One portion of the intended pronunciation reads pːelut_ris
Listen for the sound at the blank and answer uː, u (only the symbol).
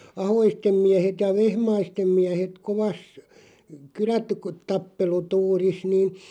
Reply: uː